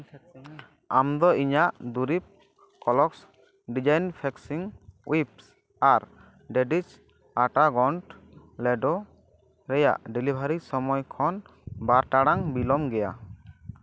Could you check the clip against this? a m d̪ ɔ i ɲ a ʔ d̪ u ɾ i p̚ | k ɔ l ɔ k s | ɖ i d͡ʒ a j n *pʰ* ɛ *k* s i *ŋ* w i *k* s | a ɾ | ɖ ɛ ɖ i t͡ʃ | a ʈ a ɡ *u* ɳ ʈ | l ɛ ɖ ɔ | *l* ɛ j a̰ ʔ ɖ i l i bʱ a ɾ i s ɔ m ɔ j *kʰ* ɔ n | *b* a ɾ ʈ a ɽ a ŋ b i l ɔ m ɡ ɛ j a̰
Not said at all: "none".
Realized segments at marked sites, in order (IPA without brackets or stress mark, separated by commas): pʰ, k, ŋ, p, ɔ, ɾ, kʰ, b